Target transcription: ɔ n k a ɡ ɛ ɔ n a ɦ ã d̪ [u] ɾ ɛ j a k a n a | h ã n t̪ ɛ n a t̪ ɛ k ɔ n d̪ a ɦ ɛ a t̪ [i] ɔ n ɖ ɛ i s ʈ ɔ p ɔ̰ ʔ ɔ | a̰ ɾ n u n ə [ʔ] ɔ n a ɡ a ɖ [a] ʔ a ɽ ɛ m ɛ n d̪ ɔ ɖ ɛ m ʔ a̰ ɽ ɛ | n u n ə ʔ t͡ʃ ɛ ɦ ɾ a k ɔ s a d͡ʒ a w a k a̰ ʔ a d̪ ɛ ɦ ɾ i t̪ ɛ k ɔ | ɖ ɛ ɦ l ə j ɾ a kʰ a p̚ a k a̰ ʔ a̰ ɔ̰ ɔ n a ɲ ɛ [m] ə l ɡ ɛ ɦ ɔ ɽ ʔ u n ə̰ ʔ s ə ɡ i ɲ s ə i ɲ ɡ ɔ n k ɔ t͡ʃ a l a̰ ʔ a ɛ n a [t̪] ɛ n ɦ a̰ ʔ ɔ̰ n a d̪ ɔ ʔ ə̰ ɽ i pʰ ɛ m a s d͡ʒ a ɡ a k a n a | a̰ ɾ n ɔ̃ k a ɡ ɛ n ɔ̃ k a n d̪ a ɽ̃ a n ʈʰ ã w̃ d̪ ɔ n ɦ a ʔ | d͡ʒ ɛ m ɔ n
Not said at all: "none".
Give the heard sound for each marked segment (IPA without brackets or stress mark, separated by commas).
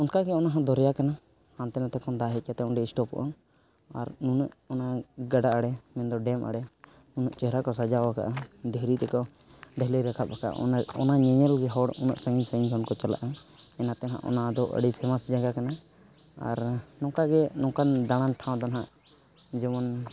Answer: ɔ, ɛ, ʔ, a, ɲ, t̪